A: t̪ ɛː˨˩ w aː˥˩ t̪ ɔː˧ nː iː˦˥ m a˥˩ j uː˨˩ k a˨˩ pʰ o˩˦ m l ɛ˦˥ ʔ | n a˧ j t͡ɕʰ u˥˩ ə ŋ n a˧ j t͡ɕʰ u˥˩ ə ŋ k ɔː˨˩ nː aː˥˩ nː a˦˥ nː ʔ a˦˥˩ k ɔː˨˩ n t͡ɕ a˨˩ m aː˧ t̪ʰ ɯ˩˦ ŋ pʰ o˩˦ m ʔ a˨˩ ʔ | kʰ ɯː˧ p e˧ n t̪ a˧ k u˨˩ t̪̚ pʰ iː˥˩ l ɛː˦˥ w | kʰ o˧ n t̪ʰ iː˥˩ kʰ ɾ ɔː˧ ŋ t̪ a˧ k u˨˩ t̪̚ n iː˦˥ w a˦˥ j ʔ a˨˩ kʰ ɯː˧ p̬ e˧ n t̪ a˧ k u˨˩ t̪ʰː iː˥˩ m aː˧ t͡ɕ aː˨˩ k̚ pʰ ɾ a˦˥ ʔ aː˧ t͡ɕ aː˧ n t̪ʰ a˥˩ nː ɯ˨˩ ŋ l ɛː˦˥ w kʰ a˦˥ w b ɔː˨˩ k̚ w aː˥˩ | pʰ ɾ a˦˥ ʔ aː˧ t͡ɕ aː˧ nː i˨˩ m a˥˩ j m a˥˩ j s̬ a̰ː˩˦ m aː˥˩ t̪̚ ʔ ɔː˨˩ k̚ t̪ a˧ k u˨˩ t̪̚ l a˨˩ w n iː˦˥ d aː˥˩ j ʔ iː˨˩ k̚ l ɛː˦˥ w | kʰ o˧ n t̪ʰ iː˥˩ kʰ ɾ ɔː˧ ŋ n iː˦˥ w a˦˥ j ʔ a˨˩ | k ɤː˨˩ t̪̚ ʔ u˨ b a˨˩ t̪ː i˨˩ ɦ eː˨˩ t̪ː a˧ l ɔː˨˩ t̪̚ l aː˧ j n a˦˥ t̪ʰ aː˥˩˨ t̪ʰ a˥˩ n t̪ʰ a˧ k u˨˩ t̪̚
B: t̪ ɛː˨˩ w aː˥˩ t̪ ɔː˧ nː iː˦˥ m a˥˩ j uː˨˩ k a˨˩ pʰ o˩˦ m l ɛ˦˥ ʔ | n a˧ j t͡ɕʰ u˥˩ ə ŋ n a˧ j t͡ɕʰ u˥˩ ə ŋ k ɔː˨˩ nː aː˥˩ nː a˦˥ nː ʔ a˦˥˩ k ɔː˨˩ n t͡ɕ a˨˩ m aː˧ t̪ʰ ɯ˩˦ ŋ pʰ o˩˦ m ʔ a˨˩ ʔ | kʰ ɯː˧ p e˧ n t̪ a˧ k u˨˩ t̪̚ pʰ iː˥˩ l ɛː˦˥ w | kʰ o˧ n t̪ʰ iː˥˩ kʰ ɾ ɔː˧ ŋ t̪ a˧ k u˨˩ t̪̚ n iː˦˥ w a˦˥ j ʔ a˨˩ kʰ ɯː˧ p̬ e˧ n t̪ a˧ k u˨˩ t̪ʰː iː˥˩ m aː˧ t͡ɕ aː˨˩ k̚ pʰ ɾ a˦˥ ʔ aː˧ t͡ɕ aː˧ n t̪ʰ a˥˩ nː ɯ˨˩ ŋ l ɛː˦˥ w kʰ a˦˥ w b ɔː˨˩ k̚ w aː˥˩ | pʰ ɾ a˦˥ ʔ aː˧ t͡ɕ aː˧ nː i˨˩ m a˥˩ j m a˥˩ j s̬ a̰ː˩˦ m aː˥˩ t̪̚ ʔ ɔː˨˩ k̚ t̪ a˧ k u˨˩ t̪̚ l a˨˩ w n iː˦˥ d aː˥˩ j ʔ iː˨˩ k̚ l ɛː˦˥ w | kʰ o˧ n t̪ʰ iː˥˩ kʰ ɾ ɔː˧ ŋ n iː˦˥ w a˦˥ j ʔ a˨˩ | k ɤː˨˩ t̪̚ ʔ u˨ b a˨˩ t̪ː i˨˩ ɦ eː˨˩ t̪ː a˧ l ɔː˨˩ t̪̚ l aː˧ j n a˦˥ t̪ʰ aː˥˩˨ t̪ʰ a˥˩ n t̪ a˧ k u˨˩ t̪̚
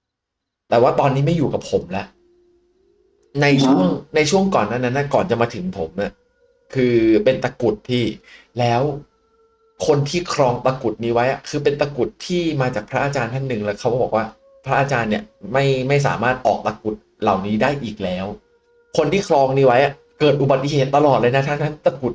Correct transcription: B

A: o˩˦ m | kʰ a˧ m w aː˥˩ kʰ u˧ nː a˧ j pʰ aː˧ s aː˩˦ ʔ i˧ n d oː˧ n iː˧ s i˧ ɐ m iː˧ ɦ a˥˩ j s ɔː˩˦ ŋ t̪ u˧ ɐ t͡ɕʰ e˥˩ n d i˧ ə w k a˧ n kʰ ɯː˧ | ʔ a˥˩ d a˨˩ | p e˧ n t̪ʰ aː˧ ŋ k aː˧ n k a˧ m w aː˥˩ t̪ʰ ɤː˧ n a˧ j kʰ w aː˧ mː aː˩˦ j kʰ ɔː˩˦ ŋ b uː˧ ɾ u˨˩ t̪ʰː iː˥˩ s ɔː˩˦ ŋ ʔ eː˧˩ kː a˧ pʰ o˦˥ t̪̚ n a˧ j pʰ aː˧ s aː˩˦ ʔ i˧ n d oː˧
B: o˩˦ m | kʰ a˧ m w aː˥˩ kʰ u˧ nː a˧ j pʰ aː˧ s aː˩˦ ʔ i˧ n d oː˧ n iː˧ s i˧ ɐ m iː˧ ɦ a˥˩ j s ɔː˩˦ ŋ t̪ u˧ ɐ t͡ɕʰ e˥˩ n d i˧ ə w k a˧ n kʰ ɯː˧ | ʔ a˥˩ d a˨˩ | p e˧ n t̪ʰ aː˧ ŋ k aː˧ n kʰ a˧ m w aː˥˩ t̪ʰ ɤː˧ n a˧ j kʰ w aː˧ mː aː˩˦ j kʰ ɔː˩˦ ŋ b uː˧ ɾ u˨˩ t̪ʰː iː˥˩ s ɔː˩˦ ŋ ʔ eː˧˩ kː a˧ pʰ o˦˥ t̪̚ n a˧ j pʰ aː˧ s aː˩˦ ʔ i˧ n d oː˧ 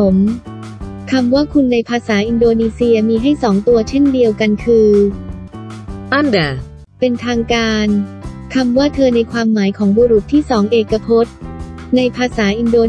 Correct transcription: B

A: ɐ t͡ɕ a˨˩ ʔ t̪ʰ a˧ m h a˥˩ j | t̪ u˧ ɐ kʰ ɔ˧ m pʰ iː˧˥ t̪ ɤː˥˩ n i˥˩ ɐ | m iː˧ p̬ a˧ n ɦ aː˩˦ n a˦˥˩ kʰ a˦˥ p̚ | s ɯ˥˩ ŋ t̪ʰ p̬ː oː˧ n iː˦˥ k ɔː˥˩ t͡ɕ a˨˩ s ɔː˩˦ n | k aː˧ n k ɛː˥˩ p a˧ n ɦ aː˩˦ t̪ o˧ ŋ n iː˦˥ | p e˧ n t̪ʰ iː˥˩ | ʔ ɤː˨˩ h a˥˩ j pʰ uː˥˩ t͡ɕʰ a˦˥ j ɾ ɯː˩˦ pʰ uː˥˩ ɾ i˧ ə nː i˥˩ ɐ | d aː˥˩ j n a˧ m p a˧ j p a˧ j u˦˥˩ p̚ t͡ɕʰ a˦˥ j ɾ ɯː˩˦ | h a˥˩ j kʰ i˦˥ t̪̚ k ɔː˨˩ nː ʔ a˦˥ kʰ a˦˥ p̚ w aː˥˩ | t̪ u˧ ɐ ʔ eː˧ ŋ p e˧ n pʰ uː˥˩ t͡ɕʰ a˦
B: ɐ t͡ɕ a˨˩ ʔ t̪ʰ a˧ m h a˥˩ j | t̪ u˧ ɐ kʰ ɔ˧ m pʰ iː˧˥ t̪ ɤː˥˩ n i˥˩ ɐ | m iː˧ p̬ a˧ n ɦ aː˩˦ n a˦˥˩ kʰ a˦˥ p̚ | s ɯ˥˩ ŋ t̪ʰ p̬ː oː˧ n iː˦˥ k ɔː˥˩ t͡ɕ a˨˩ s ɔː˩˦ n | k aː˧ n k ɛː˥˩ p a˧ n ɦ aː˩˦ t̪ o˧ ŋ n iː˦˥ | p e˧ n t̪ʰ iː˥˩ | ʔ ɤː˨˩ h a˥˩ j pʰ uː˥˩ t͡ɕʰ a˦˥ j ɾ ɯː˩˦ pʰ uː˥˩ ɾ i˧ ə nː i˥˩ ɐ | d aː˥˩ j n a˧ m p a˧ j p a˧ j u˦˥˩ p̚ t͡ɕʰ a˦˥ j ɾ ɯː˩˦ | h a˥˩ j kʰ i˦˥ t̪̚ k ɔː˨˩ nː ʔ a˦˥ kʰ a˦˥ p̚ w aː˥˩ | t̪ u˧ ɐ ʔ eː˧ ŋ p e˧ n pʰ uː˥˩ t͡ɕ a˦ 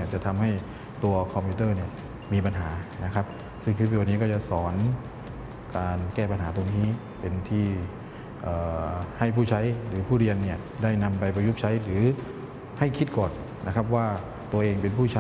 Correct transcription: A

